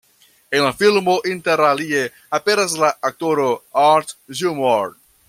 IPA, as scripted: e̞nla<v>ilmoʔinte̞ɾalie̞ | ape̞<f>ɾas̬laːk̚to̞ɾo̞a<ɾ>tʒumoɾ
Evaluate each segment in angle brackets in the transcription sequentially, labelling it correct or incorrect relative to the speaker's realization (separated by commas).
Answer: incorrect, incorrect, correct